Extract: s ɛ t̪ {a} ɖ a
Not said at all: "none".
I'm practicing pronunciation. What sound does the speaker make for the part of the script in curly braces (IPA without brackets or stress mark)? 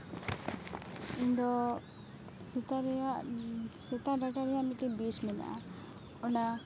a